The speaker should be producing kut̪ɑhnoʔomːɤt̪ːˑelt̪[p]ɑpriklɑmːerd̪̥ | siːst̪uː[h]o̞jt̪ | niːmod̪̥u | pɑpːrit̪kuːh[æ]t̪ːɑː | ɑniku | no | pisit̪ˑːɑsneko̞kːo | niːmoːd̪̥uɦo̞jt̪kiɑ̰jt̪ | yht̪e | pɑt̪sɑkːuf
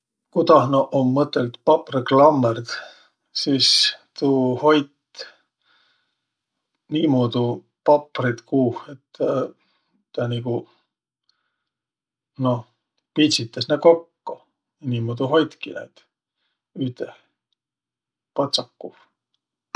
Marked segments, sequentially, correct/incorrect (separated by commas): correct, correct, incorrect